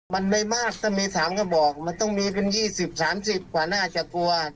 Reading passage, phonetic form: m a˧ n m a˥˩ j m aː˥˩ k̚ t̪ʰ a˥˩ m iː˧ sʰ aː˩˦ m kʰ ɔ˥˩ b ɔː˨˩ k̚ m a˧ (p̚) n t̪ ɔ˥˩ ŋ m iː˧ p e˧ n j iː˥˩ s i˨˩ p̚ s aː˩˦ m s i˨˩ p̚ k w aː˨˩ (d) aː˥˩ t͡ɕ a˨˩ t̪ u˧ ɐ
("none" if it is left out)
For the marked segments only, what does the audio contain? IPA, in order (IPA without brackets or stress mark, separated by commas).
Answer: none, n